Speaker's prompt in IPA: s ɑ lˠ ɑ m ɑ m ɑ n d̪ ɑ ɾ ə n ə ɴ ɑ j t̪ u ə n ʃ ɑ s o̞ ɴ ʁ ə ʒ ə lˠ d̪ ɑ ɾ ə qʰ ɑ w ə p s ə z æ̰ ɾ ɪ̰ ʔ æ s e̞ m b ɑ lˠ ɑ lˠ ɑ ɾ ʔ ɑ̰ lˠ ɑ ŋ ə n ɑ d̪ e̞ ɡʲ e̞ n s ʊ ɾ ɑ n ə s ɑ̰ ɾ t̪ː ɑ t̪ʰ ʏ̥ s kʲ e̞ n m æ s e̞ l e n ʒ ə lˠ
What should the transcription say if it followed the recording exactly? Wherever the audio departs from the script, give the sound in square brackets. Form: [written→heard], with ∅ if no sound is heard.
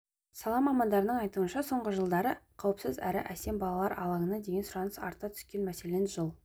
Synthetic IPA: s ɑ lˠ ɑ m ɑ m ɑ n d̪ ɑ ɾ ə n ə ɴ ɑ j t̪ u ə n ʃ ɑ s o̞ ɴ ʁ ə ʒ ə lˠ d̪ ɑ ɾ ə qʰ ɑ w ə p s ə z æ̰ ɾ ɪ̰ ʔ æ s e̞ m b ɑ lˠ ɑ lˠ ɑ ɾ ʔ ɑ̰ lˠ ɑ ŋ ə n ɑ d̪ e̞ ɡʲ e̞ n s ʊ ɾ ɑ n ə s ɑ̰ ɾ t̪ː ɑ t̪ʰ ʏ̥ s kʲ e̞ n m æ s e̞ l e n ʒ ə lˠ